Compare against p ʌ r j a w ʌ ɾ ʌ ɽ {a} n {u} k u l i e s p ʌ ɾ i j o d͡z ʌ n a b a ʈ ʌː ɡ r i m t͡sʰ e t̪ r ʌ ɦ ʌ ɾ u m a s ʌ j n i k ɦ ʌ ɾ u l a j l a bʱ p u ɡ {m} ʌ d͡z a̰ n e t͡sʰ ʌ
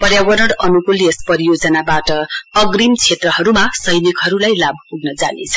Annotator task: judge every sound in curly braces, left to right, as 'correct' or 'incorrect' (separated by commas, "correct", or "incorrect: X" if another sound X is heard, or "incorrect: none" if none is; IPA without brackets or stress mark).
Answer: incorrect: ʌ, correct, incorrect: n